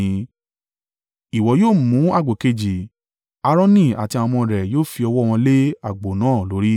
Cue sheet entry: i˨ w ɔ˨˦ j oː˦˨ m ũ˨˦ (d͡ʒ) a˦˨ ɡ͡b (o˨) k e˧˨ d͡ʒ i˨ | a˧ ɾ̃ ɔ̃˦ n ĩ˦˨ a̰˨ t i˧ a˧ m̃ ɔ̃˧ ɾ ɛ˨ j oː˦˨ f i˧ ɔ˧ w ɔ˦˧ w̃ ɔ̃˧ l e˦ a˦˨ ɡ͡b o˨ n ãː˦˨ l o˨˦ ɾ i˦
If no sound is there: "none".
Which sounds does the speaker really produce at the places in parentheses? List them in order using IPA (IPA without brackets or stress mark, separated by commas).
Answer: none, o˨